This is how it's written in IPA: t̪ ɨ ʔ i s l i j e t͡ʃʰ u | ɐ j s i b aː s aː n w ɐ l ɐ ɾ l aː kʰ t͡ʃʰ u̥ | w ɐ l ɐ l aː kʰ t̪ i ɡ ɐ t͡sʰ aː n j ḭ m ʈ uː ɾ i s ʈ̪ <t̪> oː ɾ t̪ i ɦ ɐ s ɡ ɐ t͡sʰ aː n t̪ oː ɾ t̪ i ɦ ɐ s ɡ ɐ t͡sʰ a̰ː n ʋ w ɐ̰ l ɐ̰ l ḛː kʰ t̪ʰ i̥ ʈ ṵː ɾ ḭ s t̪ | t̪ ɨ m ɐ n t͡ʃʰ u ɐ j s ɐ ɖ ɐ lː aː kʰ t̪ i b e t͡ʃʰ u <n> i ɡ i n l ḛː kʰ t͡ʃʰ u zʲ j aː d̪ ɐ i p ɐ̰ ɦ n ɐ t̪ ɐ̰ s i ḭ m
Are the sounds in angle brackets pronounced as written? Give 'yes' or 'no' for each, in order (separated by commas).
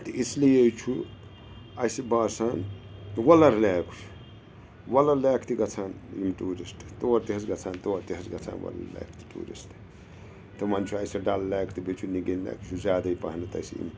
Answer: yes, yes